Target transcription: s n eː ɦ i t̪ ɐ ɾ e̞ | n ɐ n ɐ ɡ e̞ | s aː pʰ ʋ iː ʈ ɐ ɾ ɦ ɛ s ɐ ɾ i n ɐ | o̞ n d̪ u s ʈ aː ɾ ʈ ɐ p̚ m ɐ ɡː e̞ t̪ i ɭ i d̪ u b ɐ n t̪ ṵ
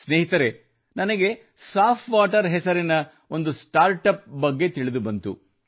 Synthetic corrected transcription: s n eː ɦ i t̪ ɐ ɾ e̞ | n ɐ n ɐ ɡ e̞ | s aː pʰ ʋ aː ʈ ɐ ɾ ɦ ɛ s ɐ ɾ i n ɐ | o̞ n d̪ u s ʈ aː ɾ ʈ ɐ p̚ b ɐ ɡː e̞ t̪ i ɭ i d̪ u b ɐ n t̪ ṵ